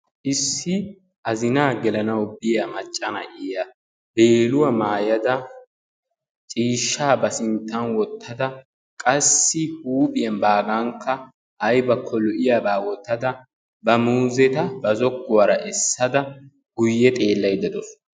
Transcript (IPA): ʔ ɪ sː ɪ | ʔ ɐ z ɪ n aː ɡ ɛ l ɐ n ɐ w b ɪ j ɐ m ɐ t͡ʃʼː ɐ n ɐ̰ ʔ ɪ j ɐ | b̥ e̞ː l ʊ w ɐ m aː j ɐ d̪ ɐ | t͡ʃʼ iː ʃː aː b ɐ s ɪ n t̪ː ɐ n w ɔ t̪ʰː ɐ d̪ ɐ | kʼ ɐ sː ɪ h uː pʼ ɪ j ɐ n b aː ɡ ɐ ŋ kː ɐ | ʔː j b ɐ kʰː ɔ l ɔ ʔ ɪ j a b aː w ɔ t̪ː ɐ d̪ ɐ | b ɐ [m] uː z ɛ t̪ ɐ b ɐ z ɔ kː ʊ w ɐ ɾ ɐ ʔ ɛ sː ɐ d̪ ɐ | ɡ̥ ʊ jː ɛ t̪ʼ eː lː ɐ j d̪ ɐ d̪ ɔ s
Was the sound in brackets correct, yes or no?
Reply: yes